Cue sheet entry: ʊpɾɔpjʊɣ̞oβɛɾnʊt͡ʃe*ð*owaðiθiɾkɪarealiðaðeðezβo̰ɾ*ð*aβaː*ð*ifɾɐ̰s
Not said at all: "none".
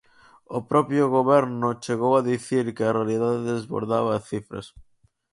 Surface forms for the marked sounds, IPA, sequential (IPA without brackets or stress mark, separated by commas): ɣ, ð, θ